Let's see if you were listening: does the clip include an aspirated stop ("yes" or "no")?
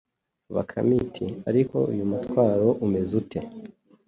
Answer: yes